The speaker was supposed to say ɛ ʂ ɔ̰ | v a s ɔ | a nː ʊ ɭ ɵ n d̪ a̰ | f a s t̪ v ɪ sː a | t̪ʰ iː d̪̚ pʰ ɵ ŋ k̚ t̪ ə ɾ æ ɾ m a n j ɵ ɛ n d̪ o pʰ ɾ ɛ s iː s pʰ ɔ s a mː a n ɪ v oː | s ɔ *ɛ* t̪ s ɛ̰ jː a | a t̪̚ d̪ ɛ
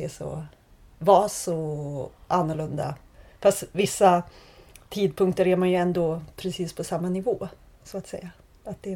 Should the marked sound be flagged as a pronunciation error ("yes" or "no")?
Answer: yes